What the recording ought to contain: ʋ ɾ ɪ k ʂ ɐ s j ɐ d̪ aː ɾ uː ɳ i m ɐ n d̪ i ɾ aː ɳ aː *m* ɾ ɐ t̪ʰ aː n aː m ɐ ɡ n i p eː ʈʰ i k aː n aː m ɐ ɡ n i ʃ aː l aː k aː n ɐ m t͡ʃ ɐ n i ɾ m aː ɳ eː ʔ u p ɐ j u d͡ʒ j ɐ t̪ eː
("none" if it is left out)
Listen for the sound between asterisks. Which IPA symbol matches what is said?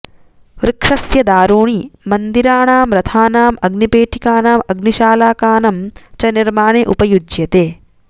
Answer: m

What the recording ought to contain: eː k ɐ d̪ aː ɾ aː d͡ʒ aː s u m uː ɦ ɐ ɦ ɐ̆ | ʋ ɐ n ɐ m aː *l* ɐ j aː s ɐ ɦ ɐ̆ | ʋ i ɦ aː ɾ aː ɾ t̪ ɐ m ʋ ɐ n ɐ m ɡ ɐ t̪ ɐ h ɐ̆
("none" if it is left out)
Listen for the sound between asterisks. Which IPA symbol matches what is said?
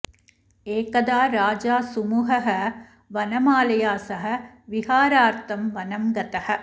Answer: l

